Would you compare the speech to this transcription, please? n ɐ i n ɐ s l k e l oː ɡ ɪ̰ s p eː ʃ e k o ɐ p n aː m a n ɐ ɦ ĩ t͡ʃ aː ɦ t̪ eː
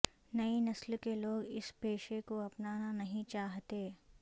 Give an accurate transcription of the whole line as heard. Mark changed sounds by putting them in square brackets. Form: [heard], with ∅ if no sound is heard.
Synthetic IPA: n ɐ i n ɐ s l k e l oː ɡ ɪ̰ s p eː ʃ e k o ɐ p n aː [n] a n ɐ ɦ ĩ t͡ʃ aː ɦ t̪ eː